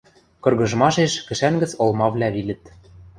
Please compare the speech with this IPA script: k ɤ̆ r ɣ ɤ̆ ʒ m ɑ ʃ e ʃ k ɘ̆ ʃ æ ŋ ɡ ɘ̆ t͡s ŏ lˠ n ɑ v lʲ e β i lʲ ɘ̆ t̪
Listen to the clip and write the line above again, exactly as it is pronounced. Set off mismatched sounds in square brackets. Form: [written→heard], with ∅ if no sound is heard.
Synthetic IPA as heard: k ɤ̆ r ɣ ɤ̆ ʒ m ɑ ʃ e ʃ k ɘ̆ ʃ æ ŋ ɡ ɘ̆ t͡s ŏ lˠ [n→m] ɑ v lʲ [e→æ] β i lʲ ɘ̆ t̪